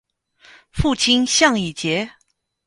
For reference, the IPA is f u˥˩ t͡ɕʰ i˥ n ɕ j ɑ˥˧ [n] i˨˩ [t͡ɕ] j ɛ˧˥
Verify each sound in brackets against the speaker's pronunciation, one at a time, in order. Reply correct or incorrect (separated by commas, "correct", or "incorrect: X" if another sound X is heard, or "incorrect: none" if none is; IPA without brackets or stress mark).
incorrect: ŋ, correct